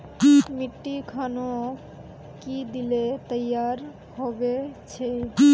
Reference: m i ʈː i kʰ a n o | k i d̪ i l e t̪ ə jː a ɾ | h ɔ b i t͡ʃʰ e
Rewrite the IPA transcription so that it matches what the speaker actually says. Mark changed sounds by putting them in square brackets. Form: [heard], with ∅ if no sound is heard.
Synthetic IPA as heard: m i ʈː i kʰ a n o | k i d̪ i l e t̪ ə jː a ɾ | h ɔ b [e] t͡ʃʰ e

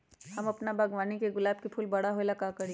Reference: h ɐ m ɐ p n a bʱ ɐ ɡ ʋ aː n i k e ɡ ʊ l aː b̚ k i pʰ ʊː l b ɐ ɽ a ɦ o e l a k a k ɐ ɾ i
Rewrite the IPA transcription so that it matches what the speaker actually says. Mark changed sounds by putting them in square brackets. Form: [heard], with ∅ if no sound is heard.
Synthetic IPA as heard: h ɐ m ɐ p n a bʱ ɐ ɡ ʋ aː n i k e ɡ ʊ l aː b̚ k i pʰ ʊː l b ɐ ɽ a ɦ o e l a k a k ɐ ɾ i

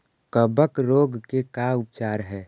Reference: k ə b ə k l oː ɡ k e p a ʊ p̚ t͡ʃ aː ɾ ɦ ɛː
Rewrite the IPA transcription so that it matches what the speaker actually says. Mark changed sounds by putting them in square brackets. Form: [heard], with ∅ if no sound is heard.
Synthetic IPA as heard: k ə b ə k [ɾ] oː ɡ k e [k] a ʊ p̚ t͡ʃ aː ɾ ɦ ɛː

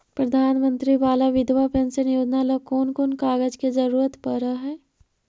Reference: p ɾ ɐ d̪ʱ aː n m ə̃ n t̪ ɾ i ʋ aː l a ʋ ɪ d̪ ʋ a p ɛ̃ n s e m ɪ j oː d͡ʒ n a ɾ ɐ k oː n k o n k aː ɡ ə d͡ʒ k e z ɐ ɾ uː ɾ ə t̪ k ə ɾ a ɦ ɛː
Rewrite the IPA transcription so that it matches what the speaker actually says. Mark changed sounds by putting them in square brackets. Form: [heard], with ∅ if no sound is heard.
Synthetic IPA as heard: p ɾ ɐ d̪ʱ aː n m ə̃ n t̪ ɾ i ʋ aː l a ʋ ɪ d̪ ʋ a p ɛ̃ n s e [n] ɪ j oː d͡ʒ n a [l] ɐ k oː n k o n k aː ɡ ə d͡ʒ k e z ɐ ɾ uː ɾ ə t̪ [p] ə ɾ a ɦ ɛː

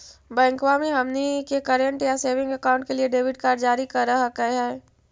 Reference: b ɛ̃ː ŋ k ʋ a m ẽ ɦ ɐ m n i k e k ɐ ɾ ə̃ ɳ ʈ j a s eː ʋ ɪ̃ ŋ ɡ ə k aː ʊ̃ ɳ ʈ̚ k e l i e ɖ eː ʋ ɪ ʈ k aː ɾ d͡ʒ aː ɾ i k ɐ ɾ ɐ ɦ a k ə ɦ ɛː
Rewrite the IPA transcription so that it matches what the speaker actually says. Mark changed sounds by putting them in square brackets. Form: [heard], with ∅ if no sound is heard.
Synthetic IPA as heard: b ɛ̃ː ŋ k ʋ a m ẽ ɦ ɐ m n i k e k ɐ ɾ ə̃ ɳ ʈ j a s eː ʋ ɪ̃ ŋ ɡ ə k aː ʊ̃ ɳ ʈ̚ k e l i e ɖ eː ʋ ɪ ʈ k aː ɾ d͡ʒ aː ɾ i k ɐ ɾ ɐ ɦ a k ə ɦ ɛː

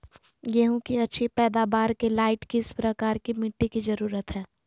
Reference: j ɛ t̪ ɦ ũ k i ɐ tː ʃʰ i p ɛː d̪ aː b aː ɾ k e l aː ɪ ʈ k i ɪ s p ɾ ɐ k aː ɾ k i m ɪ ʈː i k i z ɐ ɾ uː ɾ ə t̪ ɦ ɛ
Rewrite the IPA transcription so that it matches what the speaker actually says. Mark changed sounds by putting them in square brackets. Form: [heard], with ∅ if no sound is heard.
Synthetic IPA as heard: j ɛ [∅] ɦ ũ k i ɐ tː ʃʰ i p ɛː d̪ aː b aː ɾ k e l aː ɪ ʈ k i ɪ s p ɾ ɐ k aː ɾ k i m ɪ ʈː i k i z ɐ ɾ uː ɾ ə t̪ ɦ [ɛː]

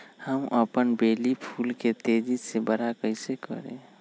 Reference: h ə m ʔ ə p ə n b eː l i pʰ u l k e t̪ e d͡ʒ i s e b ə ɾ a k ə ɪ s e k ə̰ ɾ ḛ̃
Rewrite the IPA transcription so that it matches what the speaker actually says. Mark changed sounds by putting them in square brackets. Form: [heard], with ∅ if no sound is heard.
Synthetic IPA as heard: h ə m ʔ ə p ə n b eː l i pʰ u l k e t̪ e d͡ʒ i s e b ə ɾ a k ə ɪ s e k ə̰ ɾ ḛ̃

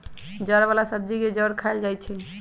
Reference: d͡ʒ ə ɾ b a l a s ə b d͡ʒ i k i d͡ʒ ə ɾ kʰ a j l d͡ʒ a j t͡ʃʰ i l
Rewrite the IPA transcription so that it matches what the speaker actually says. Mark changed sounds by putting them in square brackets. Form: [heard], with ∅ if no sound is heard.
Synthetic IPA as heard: d͡ʒ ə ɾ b a l a s ə b d͡ʒ i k [e] d͡ʒ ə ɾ kʰ a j l d͡ʒ a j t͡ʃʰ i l

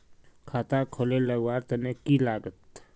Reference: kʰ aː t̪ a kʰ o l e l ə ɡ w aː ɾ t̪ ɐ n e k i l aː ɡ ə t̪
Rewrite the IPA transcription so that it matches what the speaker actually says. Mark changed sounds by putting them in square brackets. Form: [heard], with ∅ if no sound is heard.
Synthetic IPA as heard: kʰ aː t̪ a kʰ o l e l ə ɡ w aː ɾ t̪ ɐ n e k i l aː ɡ ə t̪

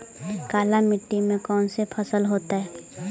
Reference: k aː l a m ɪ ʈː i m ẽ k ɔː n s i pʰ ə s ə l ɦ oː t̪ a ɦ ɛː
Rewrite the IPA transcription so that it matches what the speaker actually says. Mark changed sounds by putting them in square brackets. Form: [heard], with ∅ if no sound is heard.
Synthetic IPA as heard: k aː l a m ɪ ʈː i m ẽ k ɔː n s [e] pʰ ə s ə l ɦ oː t̪ a ɦ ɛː

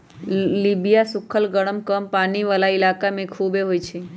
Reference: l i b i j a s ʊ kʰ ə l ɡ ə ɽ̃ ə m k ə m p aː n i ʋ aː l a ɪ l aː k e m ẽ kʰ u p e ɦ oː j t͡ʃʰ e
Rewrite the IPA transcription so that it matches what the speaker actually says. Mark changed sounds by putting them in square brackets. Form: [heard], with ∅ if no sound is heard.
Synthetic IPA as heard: l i b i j a s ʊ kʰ ə l ɡ ə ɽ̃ ə m k ə m p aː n i ʋ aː l a ɪ l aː k [a] m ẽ kʰ u [b] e ɦ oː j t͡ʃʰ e

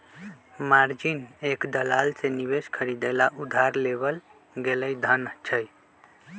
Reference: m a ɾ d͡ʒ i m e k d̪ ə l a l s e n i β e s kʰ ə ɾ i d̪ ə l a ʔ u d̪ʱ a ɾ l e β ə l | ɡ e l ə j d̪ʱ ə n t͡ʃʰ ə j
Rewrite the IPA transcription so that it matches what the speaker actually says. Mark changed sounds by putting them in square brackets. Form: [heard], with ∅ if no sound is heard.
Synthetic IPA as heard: m a ɾ d͡ʒ i [n] e k d̪ ə l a l s e n i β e s kʰ ə ɾ i d̪ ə l a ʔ u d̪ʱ a ɾ l e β ə l | ɡ e l ə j d̪ʱ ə n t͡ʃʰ ə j

